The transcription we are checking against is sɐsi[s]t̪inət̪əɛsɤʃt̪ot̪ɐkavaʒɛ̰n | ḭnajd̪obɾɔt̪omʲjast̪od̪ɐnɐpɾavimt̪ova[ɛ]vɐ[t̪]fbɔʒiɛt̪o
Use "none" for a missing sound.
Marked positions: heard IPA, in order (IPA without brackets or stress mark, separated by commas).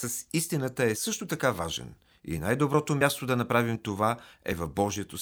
s, ɛ, none